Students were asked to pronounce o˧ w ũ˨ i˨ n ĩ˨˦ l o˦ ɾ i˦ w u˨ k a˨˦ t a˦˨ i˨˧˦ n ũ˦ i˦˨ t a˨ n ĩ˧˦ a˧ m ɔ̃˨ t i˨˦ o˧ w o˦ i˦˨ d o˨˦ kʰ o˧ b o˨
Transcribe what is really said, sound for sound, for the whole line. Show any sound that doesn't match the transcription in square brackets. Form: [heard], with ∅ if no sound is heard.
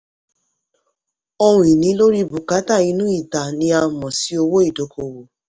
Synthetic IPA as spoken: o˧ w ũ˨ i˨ n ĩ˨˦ l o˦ ɾ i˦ [b] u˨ k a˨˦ t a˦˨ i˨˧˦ n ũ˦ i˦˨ t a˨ n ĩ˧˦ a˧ m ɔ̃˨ [s] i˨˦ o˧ w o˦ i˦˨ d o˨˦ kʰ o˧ [w] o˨